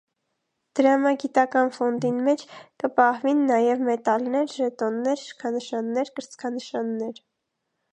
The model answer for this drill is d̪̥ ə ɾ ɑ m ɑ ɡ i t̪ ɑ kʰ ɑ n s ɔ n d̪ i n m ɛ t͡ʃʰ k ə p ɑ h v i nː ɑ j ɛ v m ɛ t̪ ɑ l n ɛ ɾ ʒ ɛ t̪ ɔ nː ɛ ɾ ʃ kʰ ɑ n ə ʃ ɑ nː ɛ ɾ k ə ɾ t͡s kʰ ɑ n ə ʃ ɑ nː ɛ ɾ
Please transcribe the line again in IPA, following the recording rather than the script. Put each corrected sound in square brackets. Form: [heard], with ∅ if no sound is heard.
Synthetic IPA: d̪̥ ə ɾ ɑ m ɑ ɡ i t̪ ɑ [k] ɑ n [f] ɔ n d̪ i n m ɛ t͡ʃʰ k ə p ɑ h v i nː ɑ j ɛ v m ɛ t̪ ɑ l n ɛ ɾ ʒ ɛ t̪ ɔ nː ɛ ɾ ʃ kʰ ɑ n ə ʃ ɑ nː ɛ ɾ k ə ɾ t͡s kʰ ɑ n ə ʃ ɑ nː ɛ ɾ